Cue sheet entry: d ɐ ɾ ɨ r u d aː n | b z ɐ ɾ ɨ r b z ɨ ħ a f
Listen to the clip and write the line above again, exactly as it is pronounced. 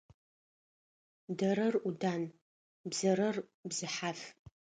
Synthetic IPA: d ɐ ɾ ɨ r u d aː n | b z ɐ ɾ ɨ r b z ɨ ħ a f